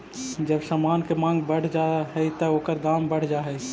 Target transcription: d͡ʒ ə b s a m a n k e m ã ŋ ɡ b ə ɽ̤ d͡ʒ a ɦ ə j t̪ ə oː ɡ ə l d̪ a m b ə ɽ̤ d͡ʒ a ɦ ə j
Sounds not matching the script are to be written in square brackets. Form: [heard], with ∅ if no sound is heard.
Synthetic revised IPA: d͡ʒ ə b s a m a n k e m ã ŋ ɡ b ə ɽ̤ d͡ʒ a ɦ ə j t̪ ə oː [k] ə [ɾ] d̪ a m b ə ɽ̤ d͡ʒ a ɦ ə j